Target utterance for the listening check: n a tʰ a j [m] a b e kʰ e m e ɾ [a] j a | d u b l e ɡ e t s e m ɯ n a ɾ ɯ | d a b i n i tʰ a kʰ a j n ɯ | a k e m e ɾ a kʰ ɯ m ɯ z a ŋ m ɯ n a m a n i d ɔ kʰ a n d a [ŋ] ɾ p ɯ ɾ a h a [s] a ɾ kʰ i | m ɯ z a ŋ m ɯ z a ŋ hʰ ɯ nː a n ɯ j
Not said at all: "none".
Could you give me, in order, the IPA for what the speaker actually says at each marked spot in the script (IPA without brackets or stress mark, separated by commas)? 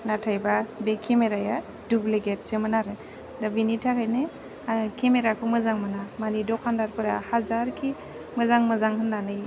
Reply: b, a, none, z